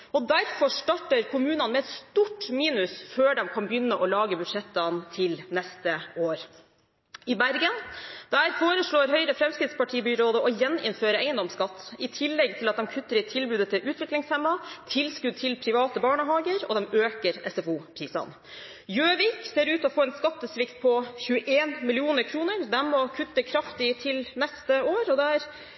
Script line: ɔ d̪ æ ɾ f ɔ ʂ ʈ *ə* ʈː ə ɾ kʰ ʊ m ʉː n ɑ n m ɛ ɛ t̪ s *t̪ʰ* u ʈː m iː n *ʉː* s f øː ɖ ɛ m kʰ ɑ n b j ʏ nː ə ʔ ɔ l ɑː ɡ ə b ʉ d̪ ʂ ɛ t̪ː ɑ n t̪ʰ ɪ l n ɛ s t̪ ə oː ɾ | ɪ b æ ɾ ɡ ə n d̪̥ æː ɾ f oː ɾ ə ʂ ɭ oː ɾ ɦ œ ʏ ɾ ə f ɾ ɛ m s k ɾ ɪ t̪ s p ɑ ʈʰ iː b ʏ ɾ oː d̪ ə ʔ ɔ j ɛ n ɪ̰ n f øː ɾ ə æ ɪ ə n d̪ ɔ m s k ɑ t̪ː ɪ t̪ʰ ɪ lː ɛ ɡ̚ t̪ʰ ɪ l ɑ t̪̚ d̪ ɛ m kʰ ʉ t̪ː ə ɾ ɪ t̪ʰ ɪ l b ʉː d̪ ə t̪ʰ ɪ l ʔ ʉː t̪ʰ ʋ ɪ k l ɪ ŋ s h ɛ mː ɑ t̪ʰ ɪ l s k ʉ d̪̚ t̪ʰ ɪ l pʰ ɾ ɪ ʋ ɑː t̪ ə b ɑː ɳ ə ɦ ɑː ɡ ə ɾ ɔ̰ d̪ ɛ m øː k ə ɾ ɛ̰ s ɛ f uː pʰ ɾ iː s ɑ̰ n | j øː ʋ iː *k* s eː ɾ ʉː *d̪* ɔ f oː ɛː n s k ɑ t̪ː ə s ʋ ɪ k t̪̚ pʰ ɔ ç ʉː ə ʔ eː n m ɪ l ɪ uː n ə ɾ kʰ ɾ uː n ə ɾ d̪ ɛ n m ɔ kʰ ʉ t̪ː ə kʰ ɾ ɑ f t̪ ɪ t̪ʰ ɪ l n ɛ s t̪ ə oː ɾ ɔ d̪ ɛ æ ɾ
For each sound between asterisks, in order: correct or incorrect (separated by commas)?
incorrect, incorrect, incorrect, correct, incorrect